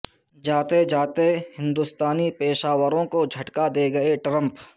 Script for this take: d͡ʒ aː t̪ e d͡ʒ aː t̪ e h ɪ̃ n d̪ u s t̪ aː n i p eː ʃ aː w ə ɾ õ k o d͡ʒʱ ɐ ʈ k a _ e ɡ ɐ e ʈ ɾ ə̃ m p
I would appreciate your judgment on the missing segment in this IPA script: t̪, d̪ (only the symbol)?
d̪